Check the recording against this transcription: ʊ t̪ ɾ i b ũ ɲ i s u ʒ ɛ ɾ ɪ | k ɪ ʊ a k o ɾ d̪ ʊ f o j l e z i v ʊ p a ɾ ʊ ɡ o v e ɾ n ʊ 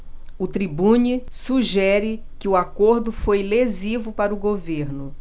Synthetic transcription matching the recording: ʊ t̪ ɾ i b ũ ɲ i s u ʒ ɛ ɾ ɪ | k ɪ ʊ a k o ɾ d̪ ʊ f o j l e z i v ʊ p a ɾ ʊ ɡ o v e ɾ n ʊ